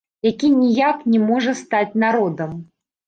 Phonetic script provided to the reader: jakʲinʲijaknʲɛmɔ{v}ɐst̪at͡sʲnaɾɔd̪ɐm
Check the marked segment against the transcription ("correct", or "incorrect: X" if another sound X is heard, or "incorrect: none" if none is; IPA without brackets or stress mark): incorrect: ʐ